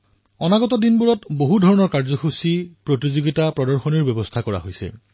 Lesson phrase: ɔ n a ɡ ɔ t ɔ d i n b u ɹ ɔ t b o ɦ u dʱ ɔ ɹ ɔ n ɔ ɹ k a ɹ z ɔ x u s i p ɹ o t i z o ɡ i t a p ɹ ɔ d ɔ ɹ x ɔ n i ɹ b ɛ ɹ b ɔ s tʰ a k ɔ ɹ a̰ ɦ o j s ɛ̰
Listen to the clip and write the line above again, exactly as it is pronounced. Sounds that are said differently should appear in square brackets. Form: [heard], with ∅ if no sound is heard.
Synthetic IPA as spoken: ɔ n a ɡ ɔ t ɔ d i n b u ɹ ɔ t b o ɦ u dʱ ɔ ɹ ɔ n ɔ ɹ k a ɹ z ɔ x u s i p ɹ o t i z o ɡ i t a p ɹ ɔ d ɔ ɹ x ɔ n i ɹ b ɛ [∅] b ɔ s tʰ a k ɔ ɹ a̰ ɦ o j s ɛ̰